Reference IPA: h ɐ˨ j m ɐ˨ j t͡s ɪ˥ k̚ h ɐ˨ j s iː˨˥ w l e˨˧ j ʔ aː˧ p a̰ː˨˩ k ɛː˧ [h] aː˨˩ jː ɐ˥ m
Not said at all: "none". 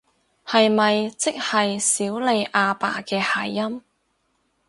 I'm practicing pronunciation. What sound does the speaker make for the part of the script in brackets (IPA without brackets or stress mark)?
h